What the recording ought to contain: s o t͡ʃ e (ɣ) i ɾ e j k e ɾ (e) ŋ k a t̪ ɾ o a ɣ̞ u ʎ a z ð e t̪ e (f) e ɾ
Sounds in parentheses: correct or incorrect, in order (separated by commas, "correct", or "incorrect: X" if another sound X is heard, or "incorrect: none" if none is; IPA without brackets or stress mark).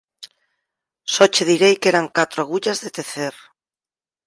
incorrect: ð, incorrect: a, incorrect: θ